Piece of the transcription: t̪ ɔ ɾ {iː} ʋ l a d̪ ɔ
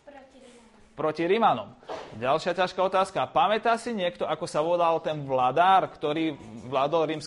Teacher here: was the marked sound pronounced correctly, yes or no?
yes